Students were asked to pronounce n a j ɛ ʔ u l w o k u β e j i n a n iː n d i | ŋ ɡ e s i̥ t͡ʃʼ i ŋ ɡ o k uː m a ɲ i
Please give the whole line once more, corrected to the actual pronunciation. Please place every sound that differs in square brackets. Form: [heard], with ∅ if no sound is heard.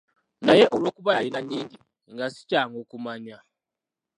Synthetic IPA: n a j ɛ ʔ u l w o k u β [a] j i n a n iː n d i | ŋ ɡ [a] s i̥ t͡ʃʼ [a] ŋ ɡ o k [u] m a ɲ [a]